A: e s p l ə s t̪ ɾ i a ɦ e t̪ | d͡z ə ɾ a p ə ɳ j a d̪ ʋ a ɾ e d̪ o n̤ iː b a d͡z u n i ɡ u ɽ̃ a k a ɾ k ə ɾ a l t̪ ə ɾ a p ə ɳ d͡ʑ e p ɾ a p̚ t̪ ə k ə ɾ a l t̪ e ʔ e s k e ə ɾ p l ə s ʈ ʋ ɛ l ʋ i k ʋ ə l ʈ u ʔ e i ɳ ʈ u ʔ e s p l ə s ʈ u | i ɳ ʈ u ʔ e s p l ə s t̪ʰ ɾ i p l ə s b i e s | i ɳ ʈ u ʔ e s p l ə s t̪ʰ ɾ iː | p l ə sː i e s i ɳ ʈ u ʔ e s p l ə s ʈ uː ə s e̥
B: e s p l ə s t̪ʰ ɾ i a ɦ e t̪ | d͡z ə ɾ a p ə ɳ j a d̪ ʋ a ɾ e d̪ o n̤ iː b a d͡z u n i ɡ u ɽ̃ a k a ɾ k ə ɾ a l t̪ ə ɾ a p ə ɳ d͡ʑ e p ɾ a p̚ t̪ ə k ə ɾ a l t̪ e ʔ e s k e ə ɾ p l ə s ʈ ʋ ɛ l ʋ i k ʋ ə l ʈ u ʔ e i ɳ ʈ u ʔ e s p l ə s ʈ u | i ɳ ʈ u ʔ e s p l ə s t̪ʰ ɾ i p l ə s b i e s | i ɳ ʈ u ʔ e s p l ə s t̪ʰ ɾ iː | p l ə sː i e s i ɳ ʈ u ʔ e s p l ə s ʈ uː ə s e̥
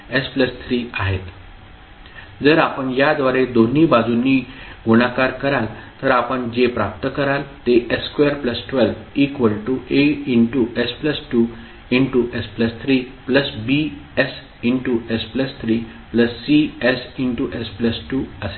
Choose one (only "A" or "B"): B